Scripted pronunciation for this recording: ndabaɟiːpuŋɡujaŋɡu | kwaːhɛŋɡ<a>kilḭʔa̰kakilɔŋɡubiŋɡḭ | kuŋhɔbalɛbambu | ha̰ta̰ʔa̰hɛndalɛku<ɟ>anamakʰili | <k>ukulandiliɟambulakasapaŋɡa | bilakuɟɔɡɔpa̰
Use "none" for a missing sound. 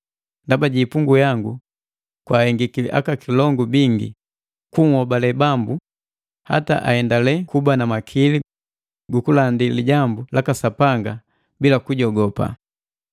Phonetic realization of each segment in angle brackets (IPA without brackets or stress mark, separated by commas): i, b, ɡ